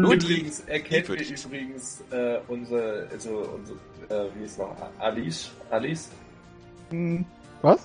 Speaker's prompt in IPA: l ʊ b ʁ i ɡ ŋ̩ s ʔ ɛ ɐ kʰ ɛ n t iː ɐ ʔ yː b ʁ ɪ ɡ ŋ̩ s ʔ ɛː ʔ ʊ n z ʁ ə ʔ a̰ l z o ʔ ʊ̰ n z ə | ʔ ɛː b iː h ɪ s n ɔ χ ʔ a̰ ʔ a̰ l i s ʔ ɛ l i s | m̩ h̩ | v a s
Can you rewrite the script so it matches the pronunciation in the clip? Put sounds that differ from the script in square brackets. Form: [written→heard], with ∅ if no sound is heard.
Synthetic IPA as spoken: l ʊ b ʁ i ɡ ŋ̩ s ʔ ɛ ɐ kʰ ɛ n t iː ɐ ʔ yː b ʁ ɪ ɡ ŋ̩ s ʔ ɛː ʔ ʊ n z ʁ ə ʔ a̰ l z o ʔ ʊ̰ n z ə | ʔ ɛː [b→v] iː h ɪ s n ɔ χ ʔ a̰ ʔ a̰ l i s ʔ [ɛ→a] l i s | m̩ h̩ | v a s